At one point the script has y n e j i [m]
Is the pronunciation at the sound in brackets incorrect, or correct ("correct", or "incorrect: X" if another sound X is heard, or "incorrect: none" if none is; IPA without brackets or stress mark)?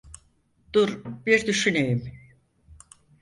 correct